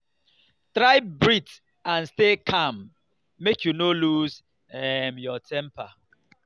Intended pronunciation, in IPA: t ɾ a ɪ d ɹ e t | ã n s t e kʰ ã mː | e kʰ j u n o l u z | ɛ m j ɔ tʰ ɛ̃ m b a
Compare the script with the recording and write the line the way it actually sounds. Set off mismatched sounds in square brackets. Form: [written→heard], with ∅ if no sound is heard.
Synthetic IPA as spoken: t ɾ a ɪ [d→b] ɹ [e→i] t | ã n s t e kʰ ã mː | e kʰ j u n o l u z | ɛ m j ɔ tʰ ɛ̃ m [b→p] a